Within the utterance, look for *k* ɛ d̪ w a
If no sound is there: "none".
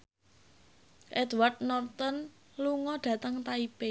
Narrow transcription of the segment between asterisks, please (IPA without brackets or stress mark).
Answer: ʔ